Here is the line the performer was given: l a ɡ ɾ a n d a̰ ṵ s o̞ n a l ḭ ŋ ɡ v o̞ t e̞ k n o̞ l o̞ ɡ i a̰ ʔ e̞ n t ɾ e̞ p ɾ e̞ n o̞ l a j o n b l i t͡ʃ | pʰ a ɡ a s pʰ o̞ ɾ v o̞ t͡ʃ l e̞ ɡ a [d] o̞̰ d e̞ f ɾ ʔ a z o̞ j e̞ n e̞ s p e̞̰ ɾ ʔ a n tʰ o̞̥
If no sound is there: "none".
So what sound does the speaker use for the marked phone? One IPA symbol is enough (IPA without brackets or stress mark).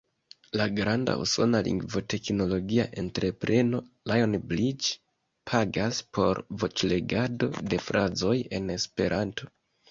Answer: d